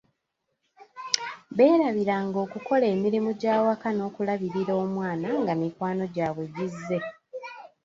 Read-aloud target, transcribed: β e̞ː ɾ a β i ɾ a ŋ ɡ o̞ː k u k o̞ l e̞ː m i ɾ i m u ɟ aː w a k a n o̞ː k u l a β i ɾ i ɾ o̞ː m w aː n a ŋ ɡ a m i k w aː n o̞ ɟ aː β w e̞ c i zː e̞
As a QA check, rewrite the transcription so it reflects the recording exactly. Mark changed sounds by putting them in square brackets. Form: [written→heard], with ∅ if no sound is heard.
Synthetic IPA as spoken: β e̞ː ɾ a β i ɾ a ŋ ɡ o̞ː k u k o̞ l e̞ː m i ɾ i m u ɟ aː w a k a n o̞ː k u l a β i ɾ i ɾ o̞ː m w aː n a ŋ ɡ a m i k w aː n o̞ ɟ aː β w e̞ [c→ɟ] i zː e̞